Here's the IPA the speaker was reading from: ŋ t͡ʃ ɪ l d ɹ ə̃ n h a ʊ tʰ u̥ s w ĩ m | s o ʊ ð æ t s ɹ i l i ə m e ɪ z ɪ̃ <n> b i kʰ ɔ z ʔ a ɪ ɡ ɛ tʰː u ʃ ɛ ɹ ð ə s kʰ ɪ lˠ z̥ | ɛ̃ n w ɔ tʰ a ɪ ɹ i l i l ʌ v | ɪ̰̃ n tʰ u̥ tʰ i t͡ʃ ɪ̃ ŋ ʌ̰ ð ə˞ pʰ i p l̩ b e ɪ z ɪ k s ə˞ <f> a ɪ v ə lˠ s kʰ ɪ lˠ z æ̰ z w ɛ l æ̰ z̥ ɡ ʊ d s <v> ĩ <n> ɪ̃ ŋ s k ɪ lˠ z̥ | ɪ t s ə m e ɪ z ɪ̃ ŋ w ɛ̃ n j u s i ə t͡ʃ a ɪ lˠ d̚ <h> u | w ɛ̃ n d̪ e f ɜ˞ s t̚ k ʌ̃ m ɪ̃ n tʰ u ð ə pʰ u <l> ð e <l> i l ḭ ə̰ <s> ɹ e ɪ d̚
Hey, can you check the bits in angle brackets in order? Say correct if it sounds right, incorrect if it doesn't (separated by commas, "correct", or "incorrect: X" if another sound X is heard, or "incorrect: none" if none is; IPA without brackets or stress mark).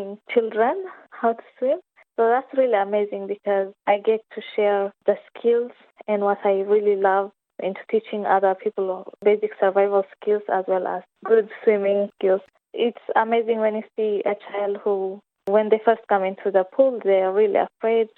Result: incorrect: ŋ, incorrect: v, incorrect: w, incorrect: m, correct, correct, incorrect: ɹ, incorrect: f